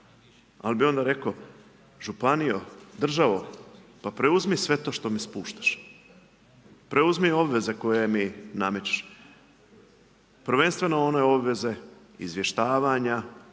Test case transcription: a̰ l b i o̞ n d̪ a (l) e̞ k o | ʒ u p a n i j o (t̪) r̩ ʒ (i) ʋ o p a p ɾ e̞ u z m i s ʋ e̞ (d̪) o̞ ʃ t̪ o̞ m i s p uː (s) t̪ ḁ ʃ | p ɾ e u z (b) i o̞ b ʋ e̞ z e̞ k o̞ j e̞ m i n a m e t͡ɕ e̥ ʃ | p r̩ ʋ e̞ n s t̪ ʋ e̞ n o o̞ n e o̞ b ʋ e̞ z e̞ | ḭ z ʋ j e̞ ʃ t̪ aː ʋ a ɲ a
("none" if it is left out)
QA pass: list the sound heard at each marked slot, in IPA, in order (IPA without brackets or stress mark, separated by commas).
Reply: ɾ, d̪, a, t̪, ʃ, m